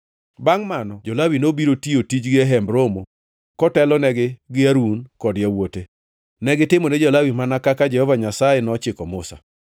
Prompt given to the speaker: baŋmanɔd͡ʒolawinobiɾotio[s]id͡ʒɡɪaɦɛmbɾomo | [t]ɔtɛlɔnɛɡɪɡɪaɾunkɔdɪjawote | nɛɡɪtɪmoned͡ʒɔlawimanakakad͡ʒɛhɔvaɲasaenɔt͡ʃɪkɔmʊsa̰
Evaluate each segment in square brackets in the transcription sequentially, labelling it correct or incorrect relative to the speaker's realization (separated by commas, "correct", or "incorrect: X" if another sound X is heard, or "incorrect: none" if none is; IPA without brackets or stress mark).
incorrect: t, incorrect: k